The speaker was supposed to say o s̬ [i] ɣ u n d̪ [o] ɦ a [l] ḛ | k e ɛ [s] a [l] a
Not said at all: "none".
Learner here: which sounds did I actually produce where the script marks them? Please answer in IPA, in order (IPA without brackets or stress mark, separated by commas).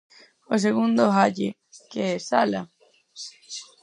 e, o, ʎ, s, l